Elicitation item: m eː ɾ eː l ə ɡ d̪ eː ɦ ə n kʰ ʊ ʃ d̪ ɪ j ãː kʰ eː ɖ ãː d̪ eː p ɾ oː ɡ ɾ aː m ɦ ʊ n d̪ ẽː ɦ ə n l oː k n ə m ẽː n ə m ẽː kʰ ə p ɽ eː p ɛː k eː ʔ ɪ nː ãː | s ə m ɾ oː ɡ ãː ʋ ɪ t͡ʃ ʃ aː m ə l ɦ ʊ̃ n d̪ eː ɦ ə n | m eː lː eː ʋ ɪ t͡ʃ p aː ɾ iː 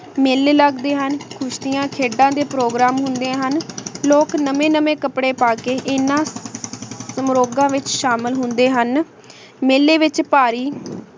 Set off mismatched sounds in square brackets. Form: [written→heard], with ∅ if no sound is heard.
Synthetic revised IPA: m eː [ɾ→l] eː l ə ɡ d̪ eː ɦ ə n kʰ ʊ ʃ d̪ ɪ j ãː kʰ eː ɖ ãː d̪ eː p ɾ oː ɡ ɾ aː m ɦ ʊ n d̪ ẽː ɦ ə n l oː k n ə m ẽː n ə m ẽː [kʰ→k] ə p ɽ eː p [ɛː→aː] k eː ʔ ɪ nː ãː | s ə m ɾ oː ɡ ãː ʋ ɪ t͡ʃ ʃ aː m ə l ɦ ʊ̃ n d̪ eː ɦ ə n | m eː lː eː ʋ ɪ t͡ʃ p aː ɾ iː